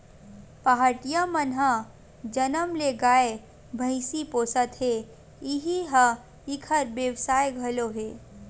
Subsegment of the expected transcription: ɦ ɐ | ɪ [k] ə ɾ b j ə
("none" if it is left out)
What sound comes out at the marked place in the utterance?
kʰ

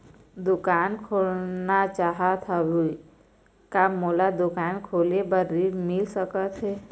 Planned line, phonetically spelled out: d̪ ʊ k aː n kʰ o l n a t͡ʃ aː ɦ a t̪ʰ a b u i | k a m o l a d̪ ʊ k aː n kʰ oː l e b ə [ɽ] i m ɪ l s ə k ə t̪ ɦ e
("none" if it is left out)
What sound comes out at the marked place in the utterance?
ɾ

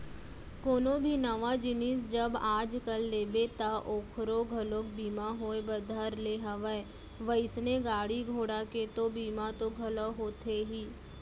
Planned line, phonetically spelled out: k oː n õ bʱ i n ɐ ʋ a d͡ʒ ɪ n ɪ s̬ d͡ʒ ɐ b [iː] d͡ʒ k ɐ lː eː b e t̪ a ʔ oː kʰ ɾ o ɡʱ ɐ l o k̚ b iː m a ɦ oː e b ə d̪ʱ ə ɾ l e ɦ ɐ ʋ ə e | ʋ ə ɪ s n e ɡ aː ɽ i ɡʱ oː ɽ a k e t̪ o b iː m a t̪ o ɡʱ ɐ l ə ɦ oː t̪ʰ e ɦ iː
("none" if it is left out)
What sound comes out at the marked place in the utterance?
aː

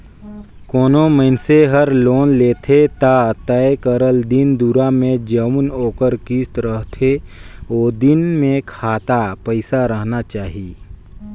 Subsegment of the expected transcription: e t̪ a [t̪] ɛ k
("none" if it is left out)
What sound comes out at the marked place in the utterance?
t̪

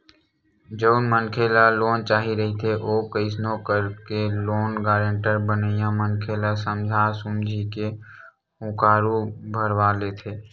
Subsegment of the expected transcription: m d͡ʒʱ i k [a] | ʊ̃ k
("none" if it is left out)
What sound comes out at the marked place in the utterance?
e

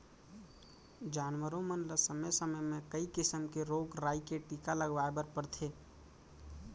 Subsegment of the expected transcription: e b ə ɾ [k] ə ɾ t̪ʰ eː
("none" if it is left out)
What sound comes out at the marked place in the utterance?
p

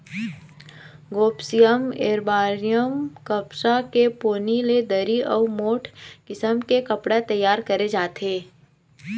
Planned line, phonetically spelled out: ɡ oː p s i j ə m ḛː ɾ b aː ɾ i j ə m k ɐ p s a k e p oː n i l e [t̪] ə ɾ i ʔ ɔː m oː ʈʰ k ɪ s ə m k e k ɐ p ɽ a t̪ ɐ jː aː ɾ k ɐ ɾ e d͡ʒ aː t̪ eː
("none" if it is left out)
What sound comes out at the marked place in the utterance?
d̪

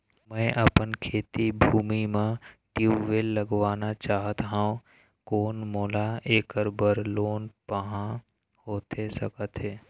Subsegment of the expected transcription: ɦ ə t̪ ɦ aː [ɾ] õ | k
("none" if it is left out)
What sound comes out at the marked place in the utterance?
none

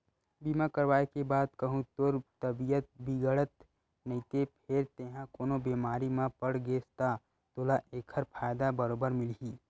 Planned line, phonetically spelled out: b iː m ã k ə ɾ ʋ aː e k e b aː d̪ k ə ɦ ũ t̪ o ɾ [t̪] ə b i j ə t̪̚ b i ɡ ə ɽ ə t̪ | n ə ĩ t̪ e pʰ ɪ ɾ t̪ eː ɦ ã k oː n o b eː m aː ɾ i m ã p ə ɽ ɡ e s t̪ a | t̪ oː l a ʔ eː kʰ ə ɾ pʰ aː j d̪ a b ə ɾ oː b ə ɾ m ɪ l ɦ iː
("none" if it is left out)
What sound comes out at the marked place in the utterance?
t̪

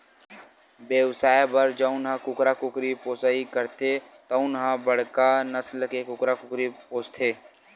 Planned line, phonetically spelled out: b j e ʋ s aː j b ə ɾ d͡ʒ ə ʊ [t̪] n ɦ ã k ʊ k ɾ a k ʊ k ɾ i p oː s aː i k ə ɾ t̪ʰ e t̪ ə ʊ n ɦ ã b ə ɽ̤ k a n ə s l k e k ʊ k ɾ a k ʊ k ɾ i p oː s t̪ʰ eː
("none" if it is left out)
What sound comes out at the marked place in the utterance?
none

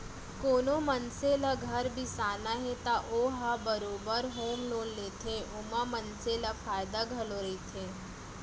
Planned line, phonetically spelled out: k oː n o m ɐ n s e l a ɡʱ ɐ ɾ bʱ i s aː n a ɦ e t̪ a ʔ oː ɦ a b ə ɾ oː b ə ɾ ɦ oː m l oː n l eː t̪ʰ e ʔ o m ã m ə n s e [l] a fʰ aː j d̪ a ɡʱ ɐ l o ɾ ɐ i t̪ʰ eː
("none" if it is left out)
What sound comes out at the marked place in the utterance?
l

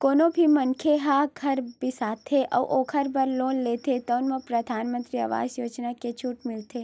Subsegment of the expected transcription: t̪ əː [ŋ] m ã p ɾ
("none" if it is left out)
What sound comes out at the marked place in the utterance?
n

